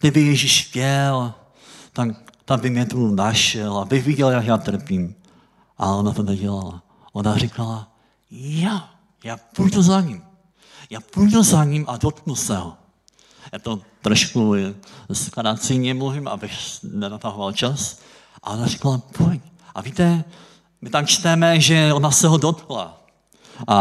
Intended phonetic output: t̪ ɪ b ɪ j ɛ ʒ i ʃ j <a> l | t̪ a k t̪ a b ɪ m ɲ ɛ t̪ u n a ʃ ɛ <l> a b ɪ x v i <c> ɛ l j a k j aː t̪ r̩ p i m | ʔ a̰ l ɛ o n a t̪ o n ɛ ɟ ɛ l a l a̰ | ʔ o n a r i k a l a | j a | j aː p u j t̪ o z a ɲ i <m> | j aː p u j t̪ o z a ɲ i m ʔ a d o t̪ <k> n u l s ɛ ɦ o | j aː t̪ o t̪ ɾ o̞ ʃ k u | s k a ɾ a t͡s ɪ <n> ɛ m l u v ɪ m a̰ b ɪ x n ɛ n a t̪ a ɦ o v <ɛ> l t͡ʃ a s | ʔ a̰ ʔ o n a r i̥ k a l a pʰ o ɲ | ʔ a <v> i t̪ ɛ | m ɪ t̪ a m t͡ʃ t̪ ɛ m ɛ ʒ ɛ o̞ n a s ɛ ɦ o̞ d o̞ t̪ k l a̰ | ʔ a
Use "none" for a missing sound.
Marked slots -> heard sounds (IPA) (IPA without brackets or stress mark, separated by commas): ɛ, l, ɟ, m, k, ɲ, a, v